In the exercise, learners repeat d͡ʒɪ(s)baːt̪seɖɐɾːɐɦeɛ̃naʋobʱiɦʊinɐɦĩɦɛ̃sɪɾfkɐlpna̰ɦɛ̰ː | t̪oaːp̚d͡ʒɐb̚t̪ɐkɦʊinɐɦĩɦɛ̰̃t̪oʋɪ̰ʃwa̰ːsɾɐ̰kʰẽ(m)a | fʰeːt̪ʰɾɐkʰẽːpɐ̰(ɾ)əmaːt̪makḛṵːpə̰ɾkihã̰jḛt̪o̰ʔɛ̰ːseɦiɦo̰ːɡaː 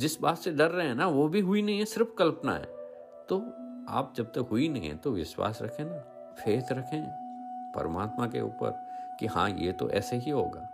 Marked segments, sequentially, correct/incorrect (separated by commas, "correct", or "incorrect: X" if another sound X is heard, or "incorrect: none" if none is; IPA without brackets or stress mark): correct, incorrect: n, correct